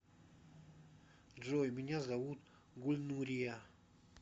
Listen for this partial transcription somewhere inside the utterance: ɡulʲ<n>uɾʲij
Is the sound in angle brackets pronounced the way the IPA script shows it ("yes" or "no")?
yes